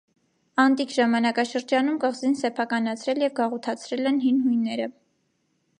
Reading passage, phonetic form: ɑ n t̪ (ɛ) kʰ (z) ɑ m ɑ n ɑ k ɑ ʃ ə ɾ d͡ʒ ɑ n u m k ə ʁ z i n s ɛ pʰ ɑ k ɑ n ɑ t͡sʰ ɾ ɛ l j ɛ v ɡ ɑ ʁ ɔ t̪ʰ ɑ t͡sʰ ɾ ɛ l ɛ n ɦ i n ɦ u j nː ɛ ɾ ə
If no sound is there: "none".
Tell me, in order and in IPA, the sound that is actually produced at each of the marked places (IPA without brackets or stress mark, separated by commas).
i, ʒ